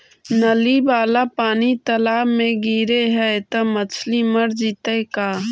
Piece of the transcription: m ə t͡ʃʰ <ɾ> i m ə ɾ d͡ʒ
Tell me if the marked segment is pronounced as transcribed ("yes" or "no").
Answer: no